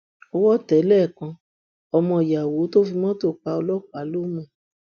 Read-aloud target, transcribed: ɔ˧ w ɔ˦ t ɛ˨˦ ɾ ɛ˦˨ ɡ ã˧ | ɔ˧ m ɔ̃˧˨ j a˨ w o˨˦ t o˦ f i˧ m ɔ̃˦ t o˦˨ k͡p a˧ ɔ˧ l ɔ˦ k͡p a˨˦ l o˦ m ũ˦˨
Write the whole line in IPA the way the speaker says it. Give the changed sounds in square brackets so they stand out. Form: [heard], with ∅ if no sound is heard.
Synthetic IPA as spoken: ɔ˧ w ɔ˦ t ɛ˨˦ [l] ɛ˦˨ [k] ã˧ | ɔ˧ m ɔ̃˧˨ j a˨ w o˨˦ t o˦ f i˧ m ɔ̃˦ t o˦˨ k͡p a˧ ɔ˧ l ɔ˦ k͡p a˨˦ l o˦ m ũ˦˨